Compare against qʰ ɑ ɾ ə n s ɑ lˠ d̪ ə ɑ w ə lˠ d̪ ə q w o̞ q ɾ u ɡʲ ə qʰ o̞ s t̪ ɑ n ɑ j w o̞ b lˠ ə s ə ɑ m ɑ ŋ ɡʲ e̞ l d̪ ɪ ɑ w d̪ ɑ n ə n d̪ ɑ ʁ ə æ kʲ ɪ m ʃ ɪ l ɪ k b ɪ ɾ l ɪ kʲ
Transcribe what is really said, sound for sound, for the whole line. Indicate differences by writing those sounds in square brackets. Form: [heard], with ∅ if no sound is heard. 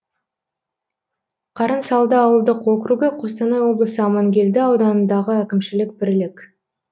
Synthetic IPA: qʰ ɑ ɾ ə n s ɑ lˠ d̪ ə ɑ w ə lˠ d̪ ə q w o̞ [k] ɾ u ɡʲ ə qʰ o̞ s t̪ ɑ n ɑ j w o̞ b lˠ ə s ə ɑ m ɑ ŋ ɡʲ e̞ l d̪ ɪ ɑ w d̪ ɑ n ə n d̪ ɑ ʁ ə æ kʲ ɪ m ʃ ɪ l ɪ k b ɪ ɾ l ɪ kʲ